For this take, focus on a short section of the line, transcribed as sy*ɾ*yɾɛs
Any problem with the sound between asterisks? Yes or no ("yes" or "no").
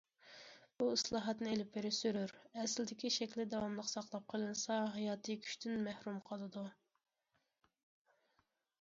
no